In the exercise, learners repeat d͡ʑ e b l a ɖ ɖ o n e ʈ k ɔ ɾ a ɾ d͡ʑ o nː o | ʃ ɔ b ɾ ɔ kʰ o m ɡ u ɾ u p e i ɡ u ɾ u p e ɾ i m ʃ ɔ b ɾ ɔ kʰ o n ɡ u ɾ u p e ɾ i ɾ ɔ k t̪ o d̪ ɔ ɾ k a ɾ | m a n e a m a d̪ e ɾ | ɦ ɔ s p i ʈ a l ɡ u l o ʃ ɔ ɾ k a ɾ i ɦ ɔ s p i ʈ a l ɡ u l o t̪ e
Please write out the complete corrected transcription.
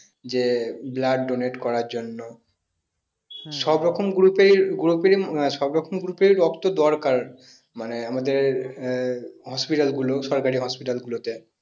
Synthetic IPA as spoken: d͡ʑ e b l a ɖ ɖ o n e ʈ k ɔ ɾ a ɾ d͡ʑ o nː o | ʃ ɔ b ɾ ɔ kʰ o m ɡ u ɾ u p e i ɡ u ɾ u p e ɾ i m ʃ ɔ b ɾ ɔ kʰ o m ɡ u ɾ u p e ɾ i ɾ ɔ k t̪ o d̪ ɔ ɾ k a ɾ | m a n e a m a d̪ e ɾ | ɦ ɔ s p i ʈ a l ɡ u l o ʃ ɔ ɾ k a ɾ i ɦ ɔ s p i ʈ a l ɡ u l o t̪ e